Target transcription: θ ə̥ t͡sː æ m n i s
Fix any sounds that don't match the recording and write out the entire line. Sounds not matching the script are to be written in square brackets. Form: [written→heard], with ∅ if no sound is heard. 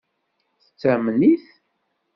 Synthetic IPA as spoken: θ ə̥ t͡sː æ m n i [s→θ]